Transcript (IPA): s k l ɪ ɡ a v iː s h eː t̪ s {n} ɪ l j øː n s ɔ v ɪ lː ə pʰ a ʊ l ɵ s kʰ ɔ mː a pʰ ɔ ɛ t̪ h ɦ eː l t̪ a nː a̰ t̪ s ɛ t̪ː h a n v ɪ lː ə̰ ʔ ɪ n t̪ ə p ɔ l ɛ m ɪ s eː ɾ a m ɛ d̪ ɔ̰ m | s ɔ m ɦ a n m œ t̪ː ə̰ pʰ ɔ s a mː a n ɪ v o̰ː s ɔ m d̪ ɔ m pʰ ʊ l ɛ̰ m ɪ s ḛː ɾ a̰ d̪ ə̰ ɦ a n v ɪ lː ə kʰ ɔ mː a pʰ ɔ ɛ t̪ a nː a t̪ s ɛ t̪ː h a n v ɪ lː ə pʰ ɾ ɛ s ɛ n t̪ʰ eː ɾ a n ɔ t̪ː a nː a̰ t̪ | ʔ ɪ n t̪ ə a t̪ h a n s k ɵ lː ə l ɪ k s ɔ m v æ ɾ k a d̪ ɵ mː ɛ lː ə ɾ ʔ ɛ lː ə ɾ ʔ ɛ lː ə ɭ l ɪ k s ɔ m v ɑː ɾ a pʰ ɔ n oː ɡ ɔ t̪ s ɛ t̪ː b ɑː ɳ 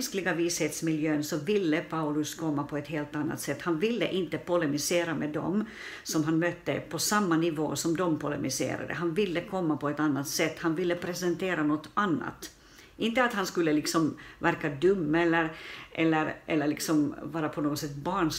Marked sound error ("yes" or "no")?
yes